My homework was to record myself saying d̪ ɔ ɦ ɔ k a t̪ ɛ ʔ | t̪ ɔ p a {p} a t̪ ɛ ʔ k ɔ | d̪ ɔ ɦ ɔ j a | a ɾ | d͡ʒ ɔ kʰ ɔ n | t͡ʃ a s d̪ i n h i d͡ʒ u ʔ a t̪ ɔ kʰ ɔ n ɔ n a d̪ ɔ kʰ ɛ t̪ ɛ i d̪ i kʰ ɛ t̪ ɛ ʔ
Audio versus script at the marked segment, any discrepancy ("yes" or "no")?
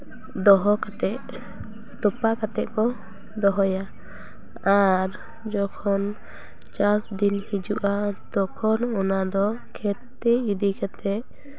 yes